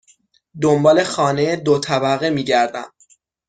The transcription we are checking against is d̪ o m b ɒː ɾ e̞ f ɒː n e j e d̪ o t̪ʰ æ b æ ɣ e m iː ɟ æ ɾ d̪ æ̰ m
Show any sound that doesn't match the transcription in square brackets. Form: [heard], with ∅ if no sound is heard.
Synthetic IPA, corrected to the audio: d̪ o m b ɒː [l] e̞ [x] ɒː n e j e d̪ o t̪ʰ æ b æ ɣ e m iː ɟ æ ɾ d̪ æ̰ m